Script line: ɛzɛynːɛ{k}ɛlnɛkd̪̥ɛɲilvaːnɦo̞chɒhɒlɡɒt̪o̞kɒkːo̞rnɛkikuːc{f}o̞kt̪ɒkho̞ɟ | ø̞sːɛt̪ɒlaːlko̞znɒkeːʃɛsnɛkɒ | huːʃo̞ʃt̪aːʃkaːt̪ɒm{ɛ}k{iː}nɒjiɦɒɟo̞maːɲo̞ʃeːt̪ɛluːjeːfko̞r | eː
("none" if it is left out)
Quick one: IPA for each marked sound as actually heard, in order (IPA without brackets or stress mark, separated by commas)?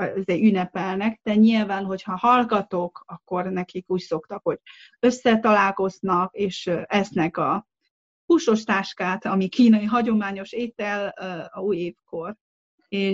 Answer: p, s, i, iː